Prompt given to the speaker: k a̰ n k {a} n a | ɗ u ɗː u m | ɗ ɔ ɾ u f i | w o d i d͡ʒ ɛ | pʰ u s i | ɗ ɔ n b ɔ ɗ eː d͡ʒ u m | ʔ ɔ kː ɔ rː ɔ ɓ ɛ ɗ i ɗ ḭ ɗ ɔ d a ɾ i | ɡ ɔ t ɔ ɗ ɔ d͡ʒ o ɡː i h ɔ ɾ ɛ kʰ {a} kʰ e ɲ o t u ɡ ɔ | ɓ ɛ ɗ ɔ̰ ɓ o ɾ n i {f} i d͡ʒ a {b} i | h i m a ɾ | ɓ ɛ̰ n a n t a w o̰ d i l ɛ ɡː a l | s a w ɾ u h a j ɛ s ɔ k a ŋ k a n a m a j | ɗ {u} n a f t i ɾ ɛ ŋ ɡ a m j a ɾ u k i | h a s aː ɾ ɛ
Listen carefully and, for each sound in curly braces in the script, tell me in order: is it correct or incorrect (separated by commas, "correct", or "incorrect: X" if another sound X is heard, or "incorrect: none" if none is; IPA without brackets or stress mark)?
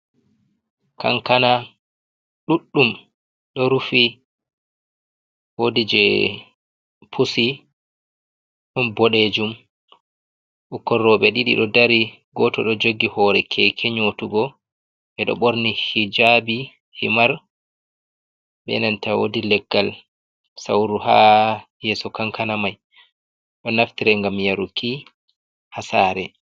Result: correct, incorrect: ɛ, incorrect: h, correct, incorrect: ɔ